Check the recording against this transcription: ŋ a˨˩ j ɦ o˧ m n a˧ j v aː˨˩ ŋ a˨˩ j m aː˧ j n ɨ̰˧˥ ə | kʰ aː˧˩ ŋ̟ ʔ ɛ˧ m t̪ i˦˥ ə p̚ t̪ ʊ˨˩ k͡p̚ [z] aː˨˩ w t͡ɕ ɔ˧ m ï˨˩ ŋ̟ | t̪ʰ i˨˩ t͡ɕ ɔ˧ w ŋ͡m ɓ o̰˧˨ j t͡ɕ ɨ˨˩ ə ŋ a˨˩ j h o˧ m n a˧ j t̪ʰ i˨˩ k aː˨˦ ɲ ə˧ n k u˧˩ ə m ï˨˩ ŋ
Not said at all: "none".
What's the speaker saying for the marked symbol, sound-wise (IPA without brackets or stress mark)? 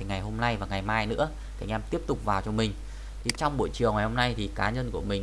v